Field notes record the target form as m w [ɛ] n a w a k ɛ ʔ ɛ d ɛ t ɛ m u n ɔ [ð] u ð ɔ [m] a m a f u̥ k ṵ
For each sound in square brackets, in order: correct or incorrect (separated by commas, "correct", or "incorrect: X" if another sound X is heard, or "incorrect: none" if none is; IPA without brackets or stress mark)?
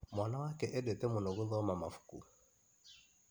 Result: incorrect: a, incorrect: ɣ, correct